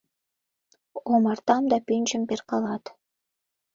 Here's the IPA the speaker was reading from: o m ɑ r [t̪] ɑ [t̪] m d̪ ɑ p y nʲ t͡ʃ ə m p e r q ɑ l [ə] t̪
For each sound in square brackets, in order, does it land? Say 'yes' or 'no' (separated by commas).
yes, no, no